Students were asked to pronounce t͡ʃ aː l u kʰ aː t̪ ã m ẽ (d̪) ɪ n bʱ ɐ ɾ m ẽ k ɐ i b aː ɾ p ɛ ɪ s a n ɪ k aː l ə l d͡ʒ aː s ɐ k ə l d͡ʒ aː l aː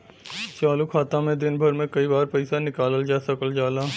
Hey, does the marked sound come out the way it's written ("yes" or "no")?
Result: yes